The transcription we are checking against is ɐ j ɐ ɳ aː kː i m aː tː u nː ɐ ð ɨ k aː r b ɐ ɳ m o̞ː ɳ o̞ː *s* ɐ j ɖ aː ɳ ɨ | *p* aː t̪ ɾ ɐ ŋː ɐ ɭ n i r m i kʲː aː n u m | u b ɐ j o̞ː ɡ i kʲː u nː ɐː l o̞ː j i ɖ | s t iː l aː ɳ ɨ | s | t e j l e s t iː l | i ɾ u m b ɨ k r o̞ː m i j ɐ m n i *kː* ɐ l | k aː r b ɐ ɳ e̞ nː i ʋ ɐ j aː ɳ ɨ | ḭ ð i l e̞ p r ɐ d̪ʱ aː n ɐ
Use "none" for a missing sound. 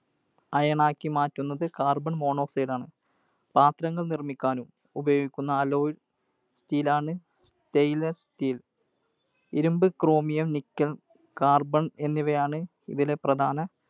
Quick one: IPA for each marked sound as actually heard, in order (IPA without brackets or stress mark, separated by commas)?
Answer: s, p, kː